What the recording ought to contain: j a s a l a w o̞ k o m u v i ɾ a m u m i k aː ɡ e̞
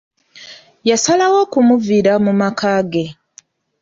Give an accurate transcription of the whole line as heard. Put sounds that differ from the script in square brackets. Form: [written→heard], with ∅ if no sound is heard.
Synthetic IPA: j a s a l a w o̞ k [o→u] m u v i ɾ a m u m [i→a] k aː ɡ e̞